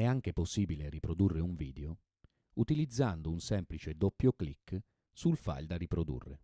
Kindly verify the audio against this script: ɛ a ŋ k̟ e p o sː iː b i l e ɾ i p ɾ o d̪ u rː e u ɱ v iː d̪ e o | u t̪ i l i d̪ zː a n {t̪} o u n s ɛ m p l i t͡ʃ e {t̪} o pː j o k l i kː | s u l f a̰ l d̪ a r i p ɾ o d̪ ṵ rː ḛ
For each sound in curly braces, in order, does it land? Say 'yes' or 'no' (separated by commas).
no, no